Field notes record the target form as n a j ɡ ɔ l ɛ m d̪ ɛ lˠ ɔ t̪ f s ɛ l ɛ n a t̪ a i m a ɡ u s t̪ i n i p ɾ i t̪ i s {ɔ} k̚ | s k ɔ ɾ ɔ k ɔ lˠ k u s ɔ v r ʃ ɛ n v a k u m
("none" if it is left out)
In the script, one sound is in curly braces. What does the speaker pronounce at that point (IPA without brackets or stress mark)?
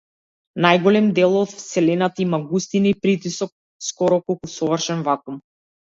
ɔ